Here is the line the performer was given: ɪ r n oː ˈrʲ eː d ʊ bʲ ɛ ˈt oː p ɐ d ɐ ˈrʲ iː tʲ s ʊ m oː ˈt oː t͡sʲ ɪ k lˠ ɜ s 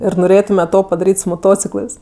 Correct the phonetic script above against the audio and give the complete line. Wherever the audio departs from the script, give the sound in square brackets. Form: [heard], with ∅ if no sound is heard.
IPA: ɪ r n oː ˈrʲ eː [t] ʊ [mʲ] ɛ ˈt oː p ɐ d ɐ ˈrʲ iː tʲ s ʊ m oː ˈt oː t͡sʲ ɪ k lˠ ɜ s